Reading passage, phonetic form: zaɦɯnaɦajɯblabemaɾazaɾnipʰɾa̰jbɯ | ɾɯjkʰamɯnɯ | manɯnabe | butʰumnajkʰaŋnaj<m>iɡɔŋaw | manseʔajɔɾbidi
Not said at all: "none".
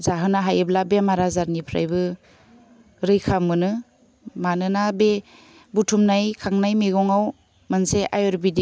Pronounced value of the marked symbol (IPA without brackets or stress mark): m